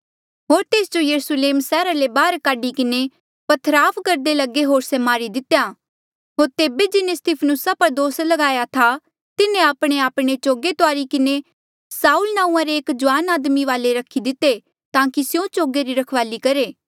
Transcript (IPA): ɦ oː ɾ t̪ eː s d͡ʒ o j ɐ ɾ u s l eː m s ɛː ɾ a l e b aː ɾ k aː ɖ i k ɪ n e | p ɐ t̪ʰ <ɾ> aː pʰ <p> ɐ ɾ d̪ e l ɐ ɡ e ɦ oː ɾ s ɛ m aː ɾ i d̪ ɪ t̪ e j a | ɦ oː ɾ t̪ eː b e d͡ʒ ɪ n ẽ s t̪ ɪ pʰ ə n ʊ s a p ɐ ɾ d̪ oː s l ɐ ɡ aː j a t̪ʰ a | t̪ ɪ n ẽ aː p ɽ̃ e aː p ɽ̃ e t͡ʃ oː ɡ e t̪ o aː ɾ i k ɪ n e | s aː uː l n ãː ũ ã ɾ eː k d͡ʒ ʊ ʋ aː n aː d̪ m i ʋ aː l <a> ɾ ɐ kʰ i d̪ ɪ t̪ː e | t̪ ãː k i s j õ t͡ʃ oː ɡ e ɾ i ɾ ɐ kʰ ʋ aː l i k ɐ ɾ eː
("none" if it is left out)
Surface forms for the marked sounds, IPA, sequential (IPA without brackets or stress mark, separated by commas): ɾ, k, e